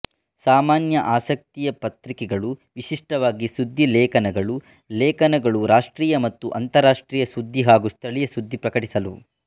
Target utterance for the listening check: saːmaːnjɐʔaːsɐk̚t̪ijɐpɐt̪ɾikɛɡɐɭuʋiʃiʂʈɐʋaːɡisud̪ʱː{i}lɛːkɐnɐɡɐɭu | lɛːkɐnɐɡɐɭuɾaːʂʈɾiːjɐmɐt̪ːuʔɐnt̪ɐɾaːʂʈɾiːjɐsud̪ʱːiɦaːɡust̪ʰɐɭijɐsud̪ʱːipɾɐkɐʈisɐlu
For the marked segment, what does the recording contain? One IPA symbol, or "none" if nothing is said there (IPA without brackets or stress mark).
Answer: i